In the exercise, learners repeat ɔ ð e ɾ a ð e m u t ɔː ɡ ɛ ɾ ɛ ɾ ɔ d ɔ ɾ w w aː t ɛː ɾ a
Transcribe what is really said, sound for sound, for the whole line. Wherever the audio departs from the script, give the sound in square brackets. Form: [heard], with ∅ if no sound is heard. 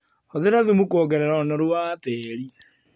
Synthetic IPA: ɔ ð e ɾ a ð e m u [k] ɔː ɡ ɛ ɾ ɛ ɾ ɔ [n] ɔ ɾ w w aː t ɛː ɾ [i]